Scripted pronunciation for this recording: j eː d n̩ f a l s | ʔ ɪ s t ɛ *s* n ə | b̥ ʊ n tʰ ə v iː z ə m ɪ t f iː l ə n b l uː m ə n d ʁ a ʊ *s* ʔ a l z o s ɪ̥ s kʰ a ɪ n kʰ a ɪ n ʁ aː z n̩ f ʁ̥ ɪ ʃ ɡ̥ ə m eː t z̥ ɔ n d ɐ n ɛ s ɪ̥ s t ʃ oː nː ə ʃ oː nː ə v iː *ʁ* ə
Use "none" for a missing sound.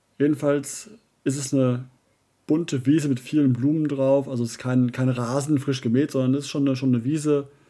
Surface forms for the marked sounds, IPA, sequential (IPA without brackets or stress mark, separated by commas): s, f, z